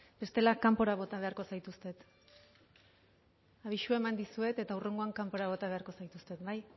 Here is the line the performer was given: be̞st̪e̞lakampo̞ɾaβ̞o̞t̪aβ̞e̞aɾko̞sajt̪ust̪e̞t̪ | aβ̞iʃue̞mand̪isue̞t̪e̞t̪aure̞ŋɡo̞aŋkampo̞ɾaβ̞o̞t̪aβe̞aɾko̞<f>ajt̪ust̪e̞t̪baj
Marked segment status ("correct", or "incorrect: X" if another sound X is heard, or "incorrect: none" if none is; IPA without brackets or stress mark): incorrect: s